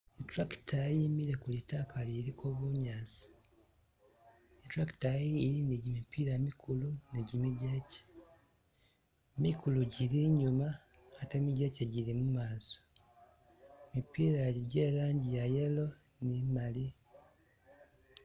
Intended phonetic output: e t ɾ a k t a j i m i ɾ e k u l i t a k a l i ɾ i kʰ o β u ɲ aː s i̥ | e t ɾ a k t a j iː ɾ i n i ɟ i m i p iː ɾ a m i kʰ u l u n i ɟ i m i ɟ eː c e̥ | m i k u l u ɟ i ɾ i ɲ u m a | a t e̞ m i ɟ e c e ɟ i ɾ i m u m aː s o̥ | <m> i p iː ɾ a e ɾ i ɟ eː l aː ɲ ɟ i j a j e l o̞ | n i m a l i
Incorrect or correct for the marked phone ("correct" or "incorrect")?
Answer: correct